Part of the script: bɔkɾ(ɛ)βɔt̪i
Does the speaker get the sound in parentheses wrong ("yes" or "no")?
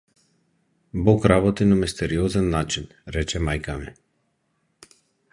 yes